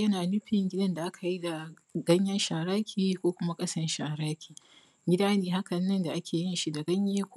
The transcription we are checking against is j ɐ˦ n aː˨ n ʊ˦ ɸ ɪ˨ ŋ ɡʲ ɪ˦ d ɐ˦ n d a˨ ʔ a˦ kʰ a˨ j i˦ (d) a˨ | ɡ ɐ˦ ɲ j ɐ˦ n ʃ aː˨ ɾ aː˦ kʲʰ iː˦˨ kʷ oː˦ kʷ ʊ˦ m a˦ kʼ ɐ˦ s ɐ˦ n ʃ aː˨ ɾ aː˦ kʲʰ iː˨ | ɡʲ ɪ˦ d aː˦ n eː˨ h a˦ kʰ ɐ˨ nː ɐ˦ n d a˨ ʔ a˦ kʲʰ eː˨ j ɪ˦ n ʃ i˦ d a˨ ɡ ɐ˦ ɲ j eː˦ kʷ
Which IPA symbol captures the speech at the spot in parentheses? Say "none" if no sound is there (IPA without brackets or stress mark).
d